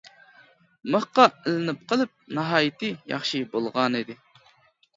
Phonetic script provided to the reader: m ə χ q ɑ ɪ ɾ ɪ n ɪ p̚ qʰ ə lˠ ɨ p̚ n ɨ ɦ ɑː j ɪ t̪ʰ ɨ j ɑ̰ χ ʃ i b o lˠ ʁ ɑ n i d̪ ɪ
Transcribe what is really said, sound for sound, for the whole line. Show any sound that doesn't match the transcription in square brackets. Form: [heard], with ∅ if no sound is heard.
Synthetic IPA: m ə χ q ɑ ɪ [l] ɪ n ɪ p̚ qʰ ə lˠ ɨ p̚ n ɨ ɦ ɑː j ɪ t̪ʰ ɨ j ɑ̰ χ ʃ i b o lˠ ʁ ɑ n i d̪ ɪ